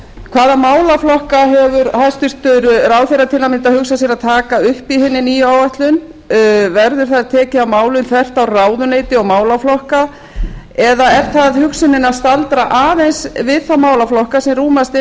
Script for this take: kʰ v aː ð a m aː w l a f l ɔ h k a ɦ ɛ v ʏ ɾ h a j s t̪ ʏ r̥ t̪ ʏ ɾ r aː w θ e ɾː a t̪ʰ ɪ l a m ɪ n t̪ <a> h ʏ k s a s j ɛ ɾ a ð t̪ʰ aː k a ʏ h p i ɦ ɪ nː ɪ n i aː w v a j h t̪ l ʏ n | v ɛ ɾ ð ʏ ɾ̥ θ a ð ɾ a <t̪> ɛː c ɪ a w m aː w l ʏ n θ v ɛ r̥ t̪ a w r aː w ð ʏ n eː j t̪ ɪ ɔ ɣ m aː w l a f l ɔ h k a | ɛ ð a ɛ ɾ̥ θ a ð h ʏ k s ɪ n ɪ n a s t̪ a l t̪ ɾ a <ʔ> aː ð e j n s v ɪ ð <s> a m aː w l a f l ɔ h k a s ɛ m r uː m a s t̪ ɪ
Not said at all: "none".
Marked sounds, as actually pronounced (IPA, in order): a, t̪ʰ, ʔ, θ

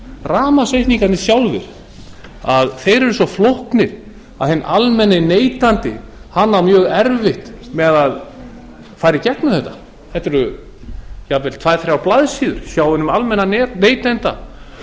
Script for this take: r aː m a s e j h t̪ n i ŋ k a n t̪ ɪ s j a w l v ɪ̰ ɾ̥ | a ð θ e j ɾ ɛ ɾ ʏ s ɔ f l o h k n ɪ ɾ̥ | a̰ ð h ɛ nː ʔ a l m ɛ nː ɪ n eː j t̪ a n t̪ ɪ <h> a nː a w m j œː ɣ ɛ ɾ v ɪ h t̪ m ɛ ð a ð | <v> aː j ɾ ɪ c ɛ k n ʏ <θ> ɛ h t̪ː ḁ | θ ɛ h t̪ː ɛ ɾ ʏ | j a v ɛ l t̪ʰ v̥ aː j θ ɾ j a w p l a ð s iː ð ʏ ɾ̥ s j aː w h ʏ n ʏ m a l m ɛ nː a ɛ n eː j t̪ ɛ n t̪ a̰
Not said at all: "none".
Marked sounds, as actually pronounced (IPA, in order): h, f, θ

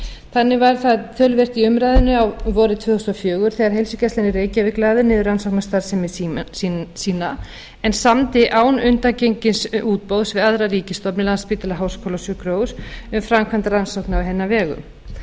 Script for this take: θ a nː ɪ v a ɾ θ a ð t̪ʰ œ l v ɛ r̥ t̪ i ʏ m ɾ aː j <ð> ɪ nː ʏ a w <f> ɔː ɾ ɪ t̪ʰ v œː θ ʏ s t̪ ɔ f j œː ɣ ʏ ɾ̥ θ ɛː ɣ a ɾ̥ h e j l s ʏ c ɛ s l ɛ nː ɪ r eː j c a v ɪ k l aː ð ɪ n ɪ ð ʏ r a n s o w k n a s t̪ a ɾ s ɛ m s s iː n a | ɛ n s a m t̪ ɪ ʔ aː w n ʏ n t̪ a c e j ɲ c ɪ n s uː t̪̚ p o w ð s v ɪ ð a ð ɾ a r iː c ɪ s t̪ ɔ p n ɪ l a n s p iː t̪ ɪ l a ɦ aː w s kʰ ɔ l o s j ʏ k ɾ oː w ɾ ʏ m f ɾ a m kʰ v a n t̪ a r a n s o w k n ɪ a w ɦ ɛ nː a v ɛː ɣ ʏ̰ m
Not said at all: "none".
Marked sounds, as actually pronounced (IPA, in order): ð, v

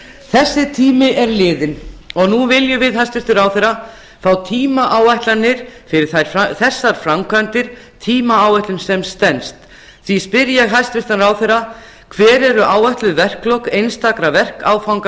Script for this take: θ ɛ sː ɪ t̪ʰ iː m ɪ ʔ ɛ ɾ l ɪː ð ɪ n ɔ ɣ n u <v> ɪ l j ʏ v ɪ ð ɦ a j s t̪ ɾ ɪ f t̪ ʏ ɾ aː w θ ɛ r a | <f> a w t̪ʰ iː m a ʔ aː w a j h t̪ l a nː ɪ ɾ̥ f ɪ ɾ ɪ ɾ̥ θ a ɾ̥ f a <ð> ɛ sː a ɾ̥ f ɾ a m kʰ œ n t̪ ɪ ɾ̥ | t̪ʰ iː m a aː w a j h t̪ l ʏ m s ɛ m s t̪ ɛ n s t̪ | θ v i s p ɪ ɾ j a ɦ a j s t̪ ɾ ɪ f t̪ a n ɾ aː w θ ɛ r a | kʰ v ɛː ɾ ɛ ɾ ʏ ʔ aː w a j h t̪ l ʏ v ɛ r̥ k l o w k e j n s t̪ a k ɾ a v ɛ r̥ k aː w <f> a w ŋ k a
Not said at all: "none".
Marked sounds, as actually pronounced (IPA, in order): v, f, θ, f

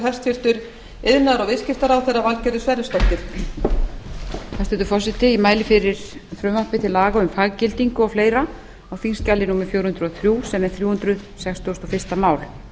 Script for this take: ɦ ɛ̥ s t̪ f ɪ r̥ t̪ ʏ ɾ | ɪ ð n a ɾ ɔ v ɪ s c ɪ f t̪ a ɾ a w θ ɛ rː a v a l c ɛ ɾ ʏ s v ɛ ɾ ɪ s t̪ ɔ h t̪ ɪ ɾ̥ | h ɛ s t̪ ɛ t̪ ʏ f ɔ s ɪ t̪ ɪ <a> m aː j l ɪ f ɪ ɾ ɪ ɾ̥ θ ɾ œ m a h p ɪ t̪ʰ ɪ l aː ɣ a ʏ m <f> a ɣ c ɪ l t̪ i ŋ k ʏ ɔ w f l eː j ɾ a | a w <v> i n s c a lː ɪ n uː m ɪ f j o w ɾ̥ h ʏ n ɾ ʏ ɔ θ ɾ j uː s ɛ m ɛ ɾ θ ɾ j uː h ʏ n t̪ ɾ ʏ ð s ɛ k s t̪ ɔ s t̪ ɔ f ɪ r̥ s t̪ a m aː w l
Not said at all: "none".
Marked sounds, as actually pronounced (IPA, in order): i, f, f

